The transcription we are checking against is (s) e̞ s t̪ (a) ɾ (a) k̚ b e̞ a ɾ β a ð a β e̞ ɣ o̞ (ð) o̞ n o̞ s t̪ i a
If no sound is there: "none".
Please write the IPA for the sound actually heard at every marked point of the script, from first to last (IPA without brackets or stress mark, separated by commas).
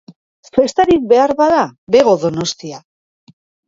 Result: f, a, i, ð